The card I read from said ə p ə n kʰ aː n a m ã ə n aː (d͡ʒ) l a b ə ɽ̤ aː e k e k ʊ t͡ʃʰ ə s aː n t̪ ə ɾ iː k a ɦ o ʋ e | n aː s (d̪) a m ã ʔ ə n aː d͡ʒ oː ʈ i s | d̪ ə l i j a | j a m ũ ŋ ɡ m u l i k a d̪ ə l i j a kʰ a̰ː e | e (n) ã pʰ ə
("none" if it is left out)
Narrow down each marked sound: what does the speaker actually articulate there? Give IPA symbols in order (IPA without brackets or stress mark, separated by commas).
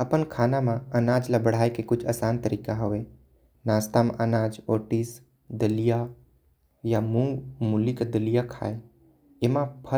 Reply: d͡ʒ, t̪, m